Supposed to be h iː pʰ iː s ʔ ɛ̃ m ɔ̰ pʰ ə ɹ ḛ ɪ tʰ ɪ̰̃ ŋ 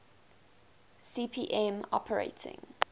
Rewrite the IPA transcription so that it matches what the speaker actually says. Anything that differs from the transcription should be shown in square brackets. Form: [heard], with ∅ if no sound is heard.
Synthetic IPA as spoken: [s] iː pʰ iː [∅] ʔ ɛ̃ m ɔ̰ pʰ ə ɹ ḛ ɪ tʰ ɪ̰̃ ŋ